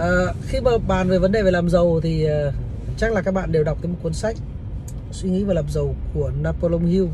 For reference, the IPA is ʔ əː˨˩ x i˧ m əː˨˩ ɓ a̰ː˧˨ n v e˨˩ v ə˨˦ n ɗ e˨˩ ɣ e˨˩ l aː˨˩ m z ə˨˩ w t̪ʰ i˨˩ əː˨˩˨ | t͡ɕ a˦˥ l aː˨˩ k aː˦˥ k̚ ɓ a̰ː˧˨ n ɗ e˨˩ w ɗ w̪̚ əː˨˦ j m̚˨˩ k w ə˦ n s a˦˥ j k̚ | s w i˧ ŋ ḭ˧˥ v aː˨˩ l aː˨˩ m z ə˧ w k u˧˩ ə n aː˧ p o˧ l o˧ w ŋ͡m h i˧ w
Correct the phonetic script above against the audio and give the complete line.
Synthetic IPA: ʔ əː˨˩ x i˧ m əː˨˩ ɓ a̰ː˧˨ n v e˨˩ v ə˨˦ n ɗ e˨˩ v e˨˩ l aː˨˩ m z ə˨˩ w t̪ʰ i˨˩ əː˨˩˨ | t͡ɕ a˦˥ l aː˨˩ k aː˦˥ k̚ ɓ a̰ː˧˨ n ɗ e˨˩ w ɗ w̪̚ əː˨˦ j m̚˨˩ k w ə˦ n s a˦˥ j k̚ | s w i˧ ŋ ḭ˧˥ v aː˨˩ l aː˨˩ m z ə˨˩ w k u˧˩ ə n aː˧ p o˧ l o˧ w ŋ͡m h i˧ w